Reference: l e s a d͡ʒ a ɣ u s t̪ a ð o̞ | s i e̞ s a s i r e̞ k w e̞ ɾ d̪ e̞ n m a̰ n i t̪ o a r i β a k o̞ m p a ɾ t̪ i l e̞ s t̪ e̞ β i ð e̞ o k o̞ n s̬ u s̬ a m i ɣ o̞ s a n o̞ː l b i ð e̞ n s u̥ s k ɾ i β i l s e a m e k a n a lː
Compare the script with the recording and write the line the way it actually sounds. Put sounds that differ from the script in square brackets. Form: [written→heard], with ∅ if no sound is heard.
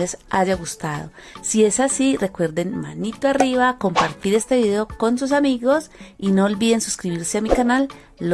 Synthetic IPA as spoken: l e s a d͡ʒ a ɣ u s t̪ a ð o̞ | s i e̞ s a s i r e̞ k w e̞ ɾ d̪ e̞ n m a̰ n i t̪ o a r i β a k o̞ m p a ɾ t̪ i [l→ɾ] e̞ s t̪ e̞ β i ð e̞ o k o̞ n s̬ u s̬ a m i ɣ o̞ s [a→i] n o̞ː l b i ð e̞ n s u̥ s k ɾ i β i [l→ɾ] s e a m [e→i] k a n a lː

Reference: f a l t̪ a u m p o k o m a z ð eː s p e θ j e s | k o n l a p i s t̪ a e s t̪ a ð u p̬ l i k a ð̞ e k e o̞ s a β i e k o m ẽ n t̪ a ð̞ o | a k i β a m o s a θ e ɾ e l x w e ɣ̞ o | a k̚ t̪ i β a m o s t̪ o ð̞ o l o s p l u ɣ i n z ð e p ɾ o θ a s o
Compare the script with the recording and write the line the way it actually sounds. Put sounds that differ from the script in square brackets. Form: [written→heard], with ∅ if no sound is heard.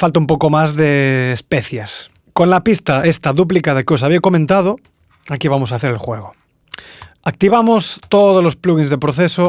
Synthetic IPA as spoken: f a l t̪ a u m p o k o m a z ð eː s p e θ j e s | k o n l a p i s t̪ a e s t̪ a ð u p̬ l i k a ð̞ e k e o̞ s a β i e k o m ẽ n t̪ a ð̞ o | a k i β a m o s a θ e ɾ e l x w e ɣ̞ o | a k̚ t̪ i β a m o s t̪ o ð̞ o l o s p l u ɣ i n z ð e p ɾ o θ [a→e] s o

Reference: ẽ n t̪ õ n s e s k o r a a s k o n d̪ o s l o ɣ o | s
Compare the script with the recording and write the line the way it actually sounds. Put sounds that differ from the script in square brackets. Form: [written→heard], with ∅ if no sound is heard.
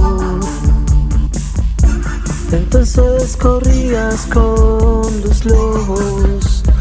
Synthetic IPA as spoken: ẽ n t̪ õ n s e s k o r [a→i] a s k o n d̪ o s l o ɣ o | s

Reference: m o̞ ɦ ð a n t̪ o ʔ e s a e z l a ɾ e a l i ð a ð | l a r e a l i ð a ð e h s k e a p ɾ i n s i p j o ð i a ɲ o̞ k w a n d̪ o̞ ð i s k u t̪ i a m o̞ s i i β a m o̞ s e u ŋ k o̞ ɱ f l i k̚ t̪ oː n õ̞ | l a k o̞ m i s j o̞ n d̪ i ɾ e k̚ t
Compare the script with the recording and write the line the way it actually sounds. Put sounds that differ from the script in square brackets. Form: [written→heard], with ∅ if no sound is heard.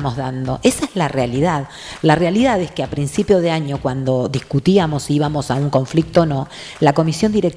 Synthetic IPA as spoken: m o̞ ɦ ð a n [t̪→d̪] o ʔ e s a e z l a [ɾ→r] e a l i ð a ð | l a r e a l i ð a ð e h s k e a p ɾ i n s i p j o ð [i→e] a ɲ o̞ k w a n d̪ o̞ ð i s k u t̪ i a m o̞ s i i β a m o̞ s [e→a] u ŋ k o̞ ɱ f l i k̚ t̪ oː n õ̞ | l a k o̞ m i s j o̞ n d̪ i ɾ e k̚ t

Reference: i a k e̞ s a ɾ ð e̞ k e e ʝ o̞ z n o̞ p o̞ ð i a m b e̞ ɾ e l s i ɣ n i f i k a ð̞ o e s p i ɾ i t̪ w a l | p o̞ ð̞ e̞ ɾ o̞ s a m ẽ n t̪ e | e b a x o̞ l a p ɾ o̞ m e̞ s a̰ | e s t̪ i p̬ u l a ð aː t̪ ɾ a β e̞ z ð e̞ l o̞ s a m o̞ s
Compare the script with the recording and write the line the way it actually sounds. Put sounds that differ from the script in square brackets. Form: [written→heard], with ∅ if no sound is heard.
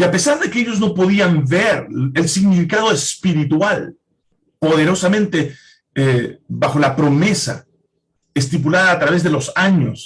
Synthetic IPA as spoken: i a [k→p] e̞ s a ɾ ð e̞ k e e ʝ o̞ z n o̞ p o̞ ð i a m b e̞ ɾ e l s i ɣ n i f i k a ð̞ o e s p i ɾ i t̪ w a l | p o̞ ð̞ e̞ ɾ o̞ s a m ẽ n t̪ e | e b a x o̞ l a p ɾ o̞ m e̞ s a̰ | e s t̪ i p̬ u l a ð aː t̪ ɾ a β e̞ z ð e̞ l o̞ s a [m→ɲ] o̞ s

